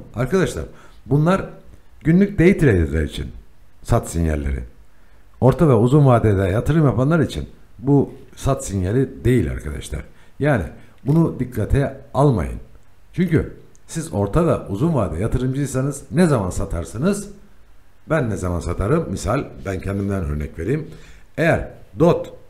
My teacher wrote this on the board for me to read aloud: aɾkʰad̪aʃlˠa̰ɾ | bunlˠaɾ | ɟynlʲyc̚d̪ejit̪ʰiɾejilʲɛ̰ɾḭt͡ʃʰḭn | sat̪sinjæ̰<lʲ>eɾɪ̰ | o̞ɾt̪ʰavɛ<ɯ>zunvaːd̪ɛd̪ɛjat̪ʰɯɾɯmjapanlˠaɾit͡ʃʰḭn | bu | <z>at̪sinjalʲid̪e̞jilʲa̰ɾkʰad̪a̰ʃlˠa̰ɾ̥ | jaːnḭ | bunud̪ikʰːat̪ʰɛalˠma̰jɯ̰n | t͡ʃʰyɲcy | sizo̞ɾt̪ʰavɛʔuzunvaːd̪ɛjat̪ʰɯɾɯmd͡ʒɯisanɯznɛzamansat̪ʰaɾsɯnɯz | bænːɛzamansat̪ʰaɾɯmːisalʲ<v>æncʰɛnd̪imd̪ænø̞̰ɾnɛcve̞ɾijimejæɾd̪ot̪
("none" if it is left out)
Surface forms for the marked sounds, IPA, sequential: lʲː, u, s, b

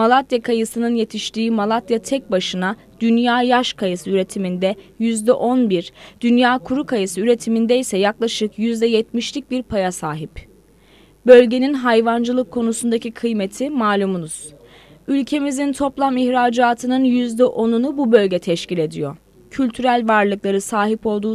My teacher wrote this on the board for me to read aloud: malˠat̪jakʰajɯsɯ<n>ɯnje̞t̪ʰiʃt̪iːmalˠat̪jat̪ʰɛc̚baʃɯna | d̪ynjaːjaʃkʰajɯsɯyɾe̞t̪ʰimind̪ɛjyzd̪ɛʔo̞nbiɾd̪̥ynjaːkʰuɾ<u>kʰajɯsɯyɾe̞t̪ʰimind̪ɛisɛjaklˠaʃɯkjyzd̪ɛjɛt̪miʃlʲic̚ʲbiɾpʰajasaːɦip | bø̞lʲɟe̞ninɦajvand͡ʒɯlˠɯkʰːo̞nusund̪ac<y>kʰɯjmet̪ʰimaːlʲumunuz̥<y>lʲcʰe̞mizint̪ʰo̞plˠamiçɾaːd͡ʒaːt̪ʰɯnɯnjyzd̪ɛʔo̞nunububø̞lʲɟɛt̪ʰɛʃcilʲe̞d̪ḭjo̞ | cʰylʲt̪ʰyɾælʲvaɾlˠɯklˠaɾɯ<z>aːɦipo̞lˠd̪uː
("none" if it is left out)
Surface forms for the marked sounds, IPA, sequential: n, u, i, y, s

